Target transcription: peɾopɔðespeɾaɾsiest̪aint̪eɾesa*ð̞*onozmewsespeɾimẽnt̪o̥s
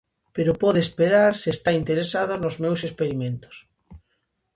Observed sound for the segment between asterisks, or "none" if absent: ð̞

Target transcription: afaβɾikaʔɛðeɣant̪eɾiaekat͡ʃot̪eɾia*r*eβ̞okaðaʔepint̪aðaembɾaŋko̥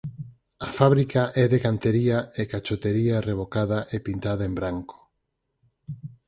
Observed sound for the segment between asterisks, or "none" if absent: r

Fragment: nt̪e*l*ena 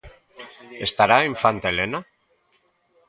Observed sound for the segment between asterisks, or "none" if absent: l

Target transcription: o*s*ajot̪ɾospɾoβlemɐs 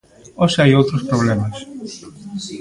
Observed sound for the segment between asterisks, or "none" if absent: s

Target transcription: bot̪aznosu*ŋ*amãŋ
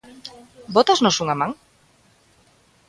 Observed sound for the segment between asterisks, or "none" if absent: ŋ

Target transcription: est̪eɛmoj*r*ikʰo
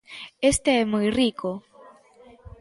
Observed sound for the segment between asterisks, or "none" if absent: r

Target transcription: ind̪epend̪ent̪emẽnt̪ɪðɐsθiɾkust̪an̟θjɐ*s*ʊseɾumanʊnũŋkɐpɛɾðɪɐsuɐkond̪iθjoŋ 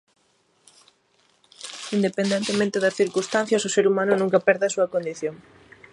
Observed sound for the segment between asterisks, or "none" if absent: s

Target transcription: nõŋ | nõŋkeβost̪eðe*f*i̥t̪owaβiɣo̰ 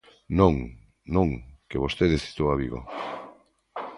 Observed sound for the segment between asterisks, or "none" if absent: s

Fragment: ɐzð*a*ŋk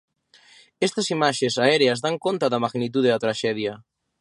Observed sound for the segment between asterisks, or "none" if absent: a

